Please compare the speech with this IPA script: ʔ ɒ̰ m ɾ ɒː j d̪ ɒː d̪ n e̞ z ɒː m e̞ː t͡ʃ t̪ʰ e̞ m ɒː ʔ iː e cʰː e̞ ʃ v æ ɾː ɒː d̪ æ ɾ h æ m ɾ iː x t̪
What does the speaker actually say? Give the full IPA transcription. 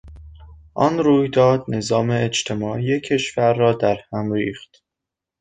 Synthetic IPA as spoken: ʔ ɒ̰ n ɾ uː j d̪ ɒː d̪ n e̞ z ɒː m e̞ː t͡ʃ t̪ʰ e̞ m ɒː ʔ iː e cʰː e̞ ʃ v æ ɾː ɒː d̪ æ ɾ h æ m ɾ iː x t̪